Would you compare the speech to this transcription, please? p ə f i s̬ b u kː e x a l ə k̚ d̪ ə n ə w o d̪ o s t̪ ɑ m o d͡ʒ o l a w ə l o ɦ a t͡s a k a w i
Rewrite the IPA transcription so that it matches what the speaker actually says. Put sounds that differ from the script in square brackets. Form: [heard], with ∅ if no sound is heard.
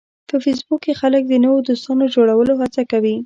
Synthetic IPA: p ə f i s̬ b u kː e x a l ə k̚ d̪ ə n ə w o d̪ o s t̪ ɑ [n] o d͡ʒ o [ɽ] a w ə l o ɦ a t͡s a k a w i